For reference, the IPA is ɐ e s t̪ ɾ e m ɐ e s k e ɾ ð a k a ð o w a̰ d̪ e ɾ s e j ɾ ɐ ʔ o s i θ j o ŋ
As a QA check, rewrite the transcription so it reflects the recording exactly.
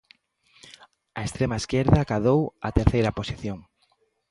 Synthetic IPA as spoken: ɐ e s t̪ ɾ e m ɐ e s k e ɾ ð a k a ð o w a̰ t̪ e ɾ θ e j ɾ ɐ p o s i θ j o ŋ